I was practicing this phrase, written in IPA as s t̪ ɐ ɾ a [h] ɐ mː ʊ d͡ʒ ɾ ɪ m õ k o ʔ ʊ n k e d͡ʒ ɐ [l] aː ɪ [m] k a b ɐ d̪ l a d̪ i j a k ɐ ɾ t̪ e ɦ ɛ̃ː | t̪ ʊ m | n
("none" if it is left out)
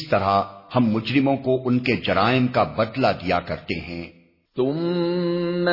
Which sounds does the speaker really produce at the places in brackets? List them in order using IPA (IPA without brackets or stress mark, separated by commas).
h, ɾ, m